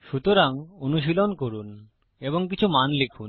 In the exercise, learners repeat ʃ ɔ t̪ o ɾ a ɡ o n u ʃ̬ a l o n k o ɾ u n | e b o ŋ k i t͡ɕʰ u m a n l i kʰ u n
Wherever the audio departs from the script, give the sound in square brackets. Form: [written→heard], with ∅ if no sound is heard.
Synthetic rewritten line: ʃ [ɔ→u] t̪ o ɾ a [ɡ→ŋ] o n u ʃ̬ [a→i] l o n k o ɾ u n | e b o ŋ k i t͡ɕʰ u m a n l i kʰ u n